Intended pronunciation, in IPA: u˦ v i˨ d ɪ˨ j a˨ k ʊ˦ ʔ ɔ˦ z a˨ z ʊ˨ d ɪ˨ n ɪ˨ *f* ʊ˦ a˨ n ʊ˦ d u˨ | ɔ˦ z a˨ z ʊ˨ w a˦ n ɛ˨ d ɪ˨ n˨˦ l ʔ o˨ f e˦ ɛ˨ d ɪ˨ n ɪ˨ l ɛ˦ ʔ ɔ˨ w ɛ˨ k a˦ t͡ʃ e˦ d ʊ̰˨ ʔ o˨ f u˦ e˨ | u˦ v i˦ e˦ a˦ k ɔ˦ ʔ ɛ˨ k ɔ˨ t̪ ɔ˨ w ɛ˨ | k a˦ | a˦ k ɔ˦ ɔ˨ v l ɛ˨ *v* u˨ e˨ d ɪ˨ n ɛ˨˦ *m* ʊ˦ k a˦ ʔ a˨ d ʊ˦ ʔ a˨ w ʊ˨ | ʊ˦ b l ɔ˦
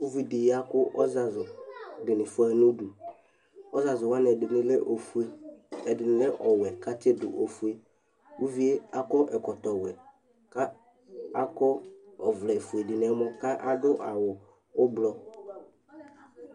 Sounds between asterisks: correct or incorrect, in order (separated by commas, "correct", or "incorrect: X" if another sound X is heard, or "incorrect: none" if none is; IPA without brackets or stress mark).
correct, incorrect: f, correct